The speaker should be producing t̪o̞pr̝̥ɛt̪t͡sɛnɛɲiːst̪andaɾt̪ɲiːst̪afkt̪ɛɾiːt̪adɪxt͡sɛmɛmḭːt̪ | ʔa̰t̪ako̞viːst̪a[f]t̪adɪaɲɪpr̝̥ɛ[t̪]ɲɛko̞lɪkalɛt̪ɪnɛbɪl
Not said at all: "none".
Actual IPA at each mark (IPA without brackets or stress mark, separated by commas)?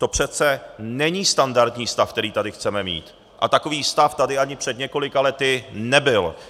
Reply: f, d̪